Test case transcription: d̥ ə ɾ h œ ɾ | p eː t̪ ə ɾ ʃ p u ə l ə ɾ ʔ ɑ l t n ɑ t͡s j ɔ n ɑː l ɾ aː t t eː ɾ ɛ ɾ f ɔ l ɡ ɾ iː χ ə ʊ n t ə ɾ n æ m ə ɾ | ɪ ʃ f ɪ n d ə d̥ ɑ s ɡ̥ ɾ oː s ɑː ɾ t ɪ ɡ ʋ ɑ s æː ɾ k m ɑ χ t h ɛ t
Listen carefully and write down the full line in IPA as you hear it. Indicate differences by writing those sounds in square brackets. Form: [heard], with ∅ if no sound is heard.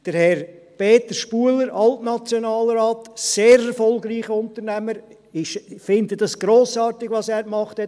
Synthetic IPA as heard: d̥ ə ɾ h [ɛ] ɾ | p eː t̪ ə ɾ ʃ p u ə l ə ɾ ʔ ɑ l t n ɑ t͡s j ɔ n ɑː l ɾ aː t [s] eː ɾ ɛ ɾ f ɔ l ɡ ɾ iː χ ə ʊ n t ə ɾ n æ m ə ɾ | ɪ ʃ f ɪ n d ə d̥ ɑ s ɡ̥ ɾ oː s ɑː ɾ t ɪ ɡ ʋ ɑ s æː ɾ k m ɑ χ t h ɛ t